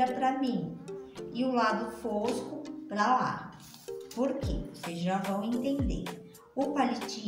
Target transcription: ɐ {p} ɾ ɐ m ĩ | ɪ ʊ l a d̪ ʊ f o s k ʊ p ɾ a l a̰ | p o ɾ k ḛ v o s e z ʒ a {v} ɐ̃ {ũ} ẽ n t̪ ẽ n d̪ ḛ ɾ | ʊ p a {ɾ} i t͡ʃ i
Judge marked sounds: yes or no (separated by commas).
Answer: yes, yes, no, no